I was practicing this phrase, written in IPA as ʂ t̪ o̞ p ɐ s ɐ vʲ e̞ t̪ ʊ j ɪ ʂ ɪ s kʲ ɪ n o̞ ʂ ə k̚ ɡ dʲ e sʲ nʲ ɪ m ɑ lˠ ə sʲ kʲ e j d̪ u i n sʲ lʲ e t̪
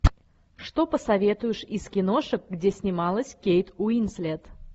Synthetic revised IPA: ʂ t̪ o̞ p ə s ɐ vʲ e̞ t̪ ʊ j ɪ ʂ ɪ s kʲ ɪ n o̞ ʂ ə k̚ ɡ dʲ e sʲ nʲ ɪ m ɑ lˠ ə sʲ kʲ e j t̪ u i n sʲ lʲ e t̪